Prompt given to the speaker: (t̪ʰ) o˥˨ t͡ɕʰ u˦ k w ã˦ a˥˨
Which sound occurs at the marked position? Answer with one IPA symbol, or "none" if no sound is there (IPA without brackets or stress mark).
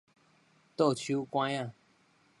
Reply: t̪